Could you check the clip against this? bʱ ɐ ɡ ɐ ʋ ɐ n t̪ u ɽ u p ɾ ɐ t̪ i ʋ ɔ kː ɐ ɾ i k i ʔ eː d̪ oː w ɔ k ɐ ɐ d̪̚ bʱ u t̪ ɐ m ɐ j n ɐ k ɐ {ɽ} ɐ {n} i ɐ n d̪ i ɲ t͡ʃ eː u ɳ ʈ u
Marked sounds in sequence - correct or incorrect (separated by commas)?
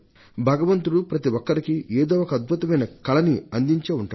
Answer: incorrect, correct